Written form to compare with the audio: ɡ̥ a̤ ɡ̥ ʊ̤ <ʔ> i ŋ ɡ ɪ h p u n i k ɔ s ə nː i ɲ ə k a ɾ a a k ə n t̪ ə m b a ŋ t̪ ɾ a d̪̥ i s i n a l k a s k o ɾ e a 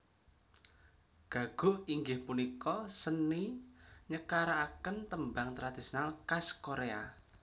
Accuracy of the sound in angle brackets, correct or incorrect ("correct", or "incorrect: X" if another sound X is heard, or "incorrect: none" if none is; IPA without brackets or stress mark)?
correct